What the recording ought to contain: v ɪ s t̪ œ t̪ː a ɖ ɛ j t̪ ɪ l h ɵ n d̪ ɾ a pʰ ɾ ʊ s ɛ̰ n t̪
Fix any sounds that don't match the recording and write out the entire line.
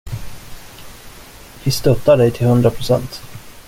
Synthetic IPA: v ɪ s t̪ œ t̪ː a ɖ ɛ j t̪ʰ ɪ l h ɵ n d̪ ɾ a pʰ ɾ ʊ s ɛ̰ n t̪